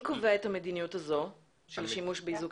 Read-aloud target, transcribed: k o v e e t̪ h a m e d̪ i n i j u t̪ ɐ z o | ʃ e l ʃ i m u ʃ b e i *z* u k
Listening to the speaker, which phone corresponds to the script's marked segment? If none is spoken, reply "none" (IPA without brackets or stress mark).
z